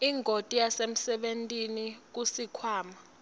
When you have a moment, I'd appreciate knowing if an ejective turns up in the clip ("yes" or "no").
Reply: yes